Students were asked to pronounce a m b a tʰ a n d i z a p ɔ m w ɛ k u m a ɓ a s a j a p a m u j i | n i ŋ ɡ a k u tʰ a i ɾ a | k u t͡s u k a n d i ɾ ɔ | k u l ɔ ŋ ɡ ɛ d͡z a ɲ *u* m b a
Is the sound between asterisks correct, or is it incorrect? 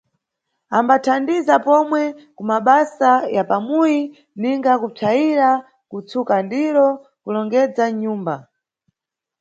incorrect